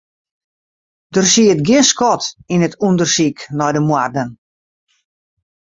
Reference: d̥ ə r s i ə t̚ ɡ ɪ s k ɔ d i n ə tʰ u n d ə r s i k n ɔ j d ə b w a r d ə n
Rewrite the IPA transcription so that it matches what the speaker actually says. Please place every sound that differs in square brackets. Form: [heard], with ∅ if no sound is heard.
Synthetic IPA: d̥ ə r s i ə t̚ ɡ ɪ s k ɔ [t] i n ə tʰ u n d ə r s i k n ɔ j d ə [m] w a r d ə n